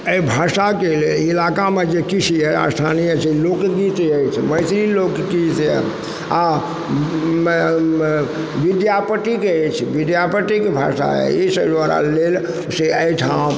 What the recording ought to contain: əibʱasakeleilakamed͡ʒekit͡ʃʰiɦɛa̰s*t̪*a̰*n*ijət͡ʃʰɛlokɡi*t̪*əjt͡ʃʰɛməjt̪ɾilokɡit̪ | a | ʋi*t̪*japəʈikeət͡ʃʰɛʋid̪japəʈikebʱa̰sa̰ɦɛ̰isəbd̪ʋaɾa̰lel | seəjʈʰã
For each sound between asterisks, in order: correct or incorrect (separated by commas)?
incorrect, correct, correct, incorrect